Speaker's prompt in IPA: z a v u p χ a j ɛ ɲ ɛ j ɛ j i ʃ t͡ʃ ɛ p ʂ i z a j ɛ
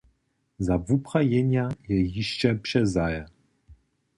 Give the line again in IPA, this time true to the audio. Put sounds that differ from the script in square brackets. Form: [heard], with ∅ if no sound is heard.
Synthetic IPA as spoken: z a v u p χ a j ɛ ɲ [a] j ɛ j i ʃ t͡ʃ ɛ p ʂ [ɛ] z a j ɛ